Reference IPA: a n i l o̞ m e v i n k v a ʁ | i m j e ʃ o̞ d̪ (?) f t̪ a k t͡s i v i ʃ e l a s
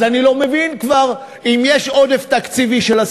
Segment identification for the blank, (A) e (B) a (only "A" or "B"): A